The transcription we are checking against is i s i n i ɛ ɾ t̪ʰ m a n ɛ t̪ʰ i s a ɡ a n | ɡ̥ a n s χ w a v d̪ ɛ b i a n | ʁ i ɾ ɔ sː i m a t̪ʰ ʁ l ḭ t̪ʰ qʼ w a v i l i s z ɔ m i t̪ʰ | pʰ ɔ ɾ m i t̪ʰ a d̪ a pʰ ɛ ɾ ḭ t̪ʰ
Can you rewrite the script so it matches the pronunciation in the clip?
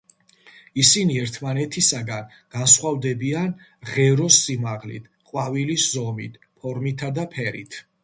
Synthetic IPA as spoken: i s i n i ɛ ɾ t̪ʰ m a n ɛ t̪ʰ i s a ɡ a n | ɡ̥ a n s χ w a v d̪ ɛ b i a n | ʁ ɛ ɾ ɔ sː i m a ʁ l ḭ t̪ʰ qʼ w a v i l i s z ɔ m i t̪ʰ | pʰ ɔ ɾ m i t̪ʰ a d̪ a pʰ ɛ ɾ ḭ t̪ʰ